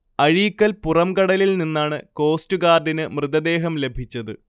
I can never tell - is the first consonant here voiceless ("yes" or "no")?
no